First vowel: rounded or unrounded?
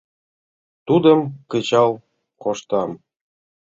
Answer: rounded